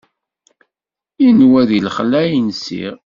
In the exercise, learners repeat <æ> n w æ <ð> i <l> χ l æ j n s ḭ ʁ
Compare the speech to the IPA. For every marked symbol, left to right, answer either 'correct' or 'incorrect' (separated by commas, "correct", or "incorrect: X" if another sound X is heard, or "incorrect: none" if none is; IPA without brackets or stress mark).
incorrect: i, correct, correct